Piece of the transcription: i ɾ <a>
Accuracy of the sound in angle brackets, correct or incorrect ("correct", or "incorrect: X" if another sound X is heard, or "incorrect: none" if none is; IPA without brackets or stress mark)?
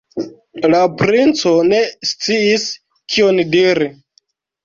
incorrect: i